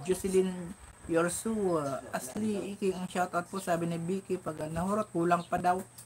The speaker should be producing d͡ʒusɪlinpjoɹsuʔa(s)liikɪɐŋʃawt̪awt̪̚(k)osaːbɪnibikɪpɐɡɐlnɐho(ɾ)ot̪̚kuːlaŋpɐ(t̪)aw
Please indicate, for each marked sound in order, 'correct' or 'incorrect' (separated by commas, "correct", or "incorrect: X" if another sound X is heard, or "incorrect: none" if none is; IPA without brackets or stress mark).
correct, incorrect: p, correct, incorrect: d̪